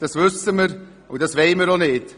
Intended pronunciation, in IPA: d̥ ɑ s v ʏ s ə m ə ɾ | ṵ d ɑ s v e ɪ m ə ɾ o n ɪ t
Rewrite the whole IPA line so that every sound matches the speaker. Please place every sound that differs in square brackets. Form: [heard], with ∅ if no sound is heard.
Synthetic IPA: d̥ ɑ s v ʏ s ə m ə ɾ | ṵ d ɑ s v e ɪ m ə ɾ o n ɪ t